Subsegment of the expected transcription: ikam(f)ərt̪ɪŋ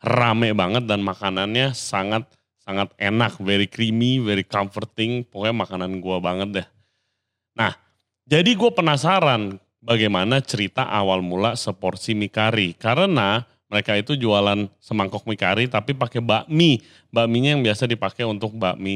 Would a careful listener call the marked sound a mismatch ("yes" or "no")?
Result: no